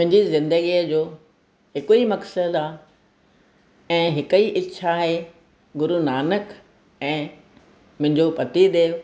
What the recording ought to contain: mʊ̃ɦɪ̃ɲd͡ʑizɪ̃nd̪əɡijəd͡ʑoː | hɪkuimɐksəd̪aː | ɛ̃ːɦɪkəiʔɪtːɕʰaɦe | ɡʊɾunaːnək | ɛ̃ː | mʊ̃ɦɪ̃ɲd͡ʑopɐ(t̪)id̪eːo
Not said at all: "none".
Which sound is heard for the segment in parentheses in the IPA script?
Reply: t̪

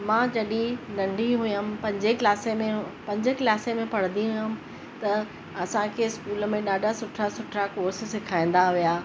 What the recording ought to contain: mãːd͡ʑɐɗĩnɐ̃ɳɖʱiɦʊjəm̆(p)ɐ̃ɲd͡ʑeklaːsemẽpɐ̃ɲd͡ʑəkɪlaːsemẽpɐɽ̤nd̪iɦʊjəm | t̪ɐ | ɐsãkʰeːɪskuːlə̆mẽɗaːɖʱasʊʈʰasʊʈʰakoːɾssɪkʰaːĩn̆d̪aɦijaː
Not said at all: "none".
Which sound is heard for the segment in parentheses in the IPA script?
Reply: p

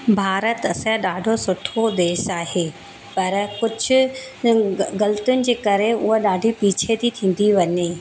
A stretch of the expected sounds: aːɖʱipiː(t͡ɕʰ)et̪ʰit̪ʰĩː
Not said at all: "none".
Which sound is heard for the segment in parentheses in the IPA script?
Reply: t͡ɕʰ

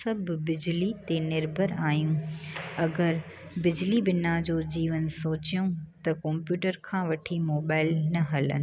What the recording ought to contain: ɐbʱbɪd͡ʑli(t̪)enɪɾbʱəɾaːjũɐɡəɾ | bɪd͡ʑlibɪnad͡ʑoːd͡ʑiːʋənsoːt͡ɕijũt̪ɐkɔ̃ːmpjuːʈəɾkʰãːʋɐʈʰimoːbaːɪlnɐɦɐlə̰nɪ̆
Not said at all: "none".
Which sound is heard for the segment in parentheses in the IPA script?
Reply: t̪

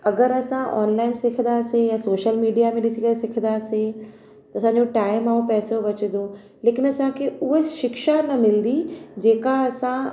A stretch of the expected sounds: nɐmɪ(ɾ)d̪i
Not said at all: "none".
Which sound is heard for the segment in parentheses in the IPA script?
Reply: l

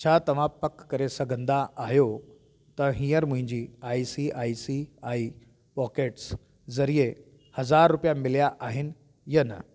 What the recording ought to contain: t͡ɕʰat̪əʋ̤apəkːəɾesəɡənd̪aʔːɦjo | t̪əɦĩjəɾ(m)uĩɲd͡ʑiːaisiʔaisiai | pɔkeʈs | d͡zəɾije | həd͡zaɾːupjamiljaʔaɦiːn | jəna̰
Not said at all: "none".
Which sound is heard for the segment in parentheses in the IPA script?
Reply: m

